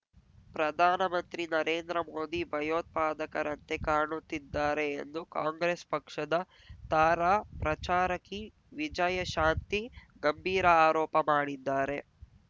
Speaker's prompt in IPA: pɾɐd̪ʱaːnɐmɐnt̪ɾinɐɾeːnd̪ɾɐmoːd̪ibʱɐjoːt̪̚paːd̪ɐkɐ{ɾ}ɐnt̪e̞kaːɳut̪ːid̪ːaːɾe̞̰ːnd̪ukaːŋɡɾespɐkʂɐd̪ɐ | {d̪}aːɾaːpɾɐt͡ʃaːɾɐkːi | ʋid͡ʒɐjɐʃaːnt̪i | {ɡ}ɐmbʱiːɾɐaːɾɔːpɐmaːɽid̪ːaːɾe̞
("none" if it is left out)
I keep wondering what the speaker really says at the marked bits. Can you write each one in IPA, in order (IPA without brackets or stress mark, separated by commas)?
ɾ, t̪, ɡ